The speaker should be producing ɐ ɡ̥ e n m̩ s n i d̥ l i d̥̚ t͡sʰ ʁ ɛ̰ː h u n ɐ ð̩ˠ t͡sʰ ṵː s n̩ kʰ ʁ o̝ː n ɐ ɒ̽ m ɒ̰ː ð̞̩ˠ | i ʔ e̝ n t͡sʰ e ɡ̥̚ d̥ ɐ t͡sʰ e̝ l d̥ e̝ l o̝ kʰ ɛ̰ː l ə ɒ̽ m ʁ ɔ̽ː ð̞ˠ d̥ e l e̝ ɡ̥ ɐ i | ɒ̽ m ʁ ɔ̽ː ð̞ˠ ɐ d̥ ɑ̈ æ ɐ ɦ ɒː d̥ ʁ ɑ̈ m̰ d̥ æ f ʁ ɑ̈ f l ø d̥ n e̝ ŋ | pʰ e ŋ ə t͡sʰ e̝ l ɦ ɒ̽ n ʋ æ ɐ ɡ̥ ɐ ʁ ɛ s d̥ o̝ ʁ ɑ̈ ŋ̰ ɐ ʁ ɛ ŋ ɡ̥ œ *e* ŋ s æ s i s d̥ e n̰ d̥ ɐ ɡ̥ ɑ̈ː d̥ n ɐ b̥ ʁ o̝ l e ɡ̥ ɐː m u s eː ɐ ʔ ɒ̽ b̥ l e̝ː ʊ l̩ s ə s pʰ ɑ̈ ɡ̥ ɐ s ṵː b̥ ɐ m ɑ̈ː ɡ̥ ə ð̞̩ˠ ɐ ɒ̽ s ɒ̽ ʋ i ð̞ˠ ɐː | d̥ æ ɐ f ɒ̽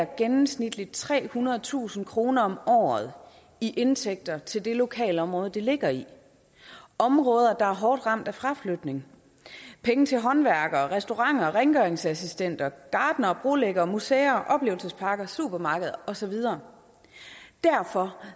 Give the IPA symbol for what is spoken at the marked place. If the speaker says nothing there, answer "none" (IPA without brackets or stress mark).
e